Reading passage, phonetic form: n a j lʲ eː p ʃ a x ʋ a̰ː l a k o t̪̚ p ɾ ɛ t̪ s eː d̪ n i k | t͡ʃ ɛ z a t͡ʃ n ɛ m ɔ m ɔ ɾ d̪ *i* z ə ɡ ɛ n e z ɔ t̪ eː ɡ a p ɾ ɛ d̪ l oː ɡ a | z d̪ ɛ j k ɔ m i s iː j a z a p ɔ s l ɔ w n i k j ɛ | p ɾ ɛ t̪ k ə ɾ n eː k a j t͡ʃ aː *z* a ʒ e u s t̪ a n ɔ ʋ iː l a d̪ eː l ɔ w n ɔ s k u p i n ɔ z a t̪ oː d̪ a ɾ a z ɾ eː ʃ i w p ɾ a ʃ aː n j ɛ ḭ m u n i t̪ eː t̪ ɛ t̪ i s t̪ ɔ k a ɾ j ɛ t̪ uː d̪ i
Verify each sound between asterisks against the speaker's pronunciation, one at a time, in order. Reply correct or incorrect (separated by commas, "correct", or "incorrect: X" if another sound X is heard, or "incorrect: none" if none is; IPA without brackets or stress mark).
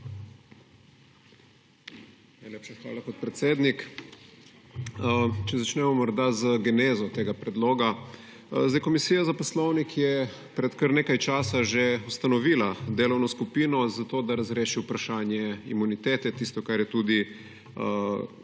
incorrect: a, incorrect: s